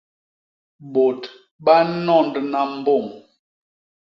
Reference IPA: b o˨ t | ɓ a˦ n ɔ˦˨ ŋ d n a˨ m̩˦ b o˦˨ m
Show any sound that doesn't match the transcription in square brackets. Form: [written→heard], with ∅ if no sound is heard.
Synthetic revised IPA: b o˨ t | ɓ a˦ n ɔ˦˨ [ŋ→n] d n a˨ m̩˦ b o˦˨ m